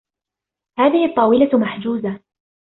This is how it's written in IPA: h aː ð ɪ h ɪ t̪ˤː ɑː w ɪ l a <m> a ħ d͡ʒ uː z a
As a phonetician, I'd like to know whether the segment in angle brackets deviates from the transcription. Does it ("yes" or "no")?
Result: no